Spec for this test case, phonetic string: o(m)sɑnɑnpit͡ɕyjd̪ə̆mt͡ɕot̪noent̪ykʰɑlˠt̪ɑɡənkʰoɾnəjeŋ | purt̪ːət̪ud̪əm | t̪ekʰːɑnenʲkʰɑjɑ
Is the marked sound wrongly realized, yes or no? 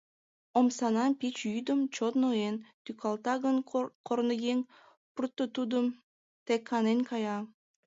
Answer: no